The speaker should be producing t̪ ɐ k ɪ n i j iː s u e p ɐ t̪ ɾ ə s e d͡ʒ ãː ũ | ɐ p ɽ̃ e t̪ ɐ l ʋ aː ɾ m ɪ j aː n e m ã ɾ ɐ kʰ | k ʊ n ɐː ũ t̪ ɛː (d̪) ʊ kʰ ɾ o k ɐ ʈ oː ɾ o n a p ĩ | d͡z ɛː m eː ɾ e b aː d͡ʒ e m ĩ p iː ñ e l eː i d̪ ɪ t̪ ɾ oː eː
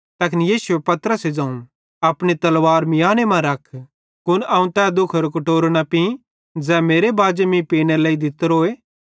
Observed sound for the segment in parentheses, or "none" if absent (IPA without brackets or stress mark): d̪